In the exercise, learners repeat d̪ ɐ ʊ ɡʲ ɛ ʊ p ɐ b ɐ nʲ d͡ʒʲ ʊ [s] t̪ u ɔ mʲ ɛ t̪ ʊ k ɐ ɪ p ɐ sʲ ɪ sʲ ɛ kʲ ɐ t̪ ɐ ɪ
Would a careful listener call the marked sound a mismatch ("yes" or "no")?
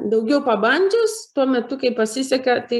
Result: no